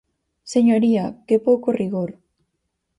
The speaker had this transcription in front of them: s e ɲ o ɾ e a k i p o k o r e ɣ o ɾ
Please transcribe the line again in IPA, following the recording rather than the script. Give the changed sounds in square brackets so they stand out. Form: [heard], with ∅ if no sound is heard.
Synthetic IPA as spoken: s e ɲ o ɾ [i] a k [e] p o k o r [i] ɣ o ɾ